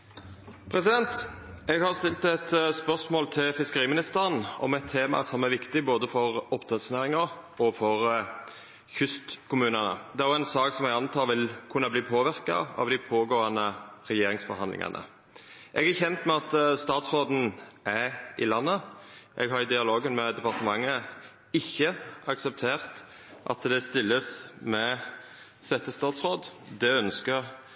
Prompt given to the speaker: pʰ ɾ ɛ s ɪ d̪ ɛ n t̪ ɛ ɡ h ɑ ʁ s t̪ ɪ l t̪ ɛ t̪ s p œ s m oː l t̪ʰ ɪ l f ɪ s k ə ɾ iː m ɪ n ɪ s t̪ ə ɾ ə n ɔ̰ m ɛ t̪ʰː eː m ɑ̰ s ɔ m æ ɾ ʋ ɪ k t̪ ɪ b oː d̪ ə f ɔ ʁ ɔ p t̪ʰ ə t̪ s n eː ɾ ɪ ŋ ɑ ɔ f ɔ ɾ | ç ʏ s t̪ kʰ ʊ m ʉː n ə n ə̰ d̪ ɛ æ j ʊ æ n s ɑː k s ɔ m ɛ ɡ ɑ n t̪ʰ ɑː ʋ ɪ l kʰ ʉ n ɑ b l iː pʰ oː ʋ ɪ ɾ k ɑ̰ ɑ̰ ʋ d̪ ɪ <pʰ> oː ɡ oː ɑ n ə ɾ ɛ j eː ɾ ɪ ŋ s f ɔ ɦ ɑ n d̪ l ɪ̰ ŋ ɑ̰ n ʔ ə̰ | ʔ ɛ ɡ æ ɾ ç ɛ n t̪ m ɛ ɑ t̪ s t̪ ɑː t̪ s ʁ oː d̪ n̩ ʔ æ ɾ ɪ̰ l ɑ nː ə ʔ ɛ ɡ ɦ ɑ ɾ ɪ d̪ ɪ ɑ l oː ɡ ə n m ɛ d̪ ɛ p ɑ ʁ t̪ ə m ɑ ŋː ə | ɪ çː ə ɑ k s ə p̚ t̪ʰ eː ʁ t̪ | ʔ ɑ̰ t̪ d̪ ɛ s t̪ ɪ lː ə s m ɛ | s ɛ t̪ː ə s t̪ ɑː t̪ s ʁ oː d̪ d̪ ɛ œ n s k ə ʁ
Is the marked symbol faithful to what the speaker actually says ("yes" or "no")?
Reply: yes